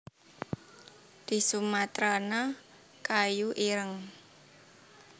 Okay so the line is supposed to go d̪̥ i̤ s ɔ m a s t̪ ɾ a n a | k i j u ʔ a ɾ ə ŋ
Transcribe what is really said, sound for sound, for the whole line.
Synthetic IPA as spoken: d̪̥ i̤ s u m a t̪ ɾ a n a | k a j u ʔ i ɾ ə ŋ